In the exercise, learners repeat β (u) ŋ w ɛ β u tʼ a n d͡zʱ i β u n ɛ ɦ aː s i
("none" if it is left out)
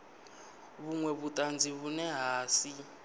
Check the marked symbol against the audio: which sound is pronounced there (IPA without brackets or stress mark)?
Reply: u